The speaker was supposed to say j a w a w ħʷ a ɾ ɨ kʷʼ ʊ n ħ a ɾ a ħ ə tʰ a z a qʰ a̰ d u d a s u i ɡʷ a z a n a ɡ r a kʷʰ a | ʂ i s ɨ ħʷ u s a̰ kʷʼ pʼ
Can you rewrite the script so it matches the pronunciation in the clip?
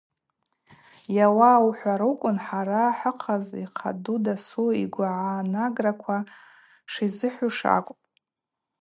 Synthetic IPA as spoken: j a w a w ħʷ a ɾ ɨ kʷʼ ʊ n ħ a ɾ a ħ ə qʰ a z i qʰ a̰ d u d a s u i ɡʷ a ʕ a n a ɡ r a kʷʰ a | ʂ i z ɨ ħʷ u ʂ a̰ kʷʼ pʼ